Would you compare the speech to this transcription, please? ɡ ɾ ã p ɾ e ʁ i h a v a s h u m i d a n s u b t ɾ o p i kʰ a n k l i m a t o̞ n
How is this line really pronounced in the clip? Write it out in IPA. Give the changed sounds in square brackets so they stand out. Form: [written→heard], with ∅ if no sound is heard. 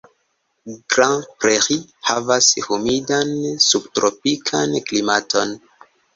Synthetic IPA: ɡ ɾ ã p ɾ e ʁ i h a v a s h u m i d a n s u b t ɾ o p i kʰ a n k l i m a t o̞ n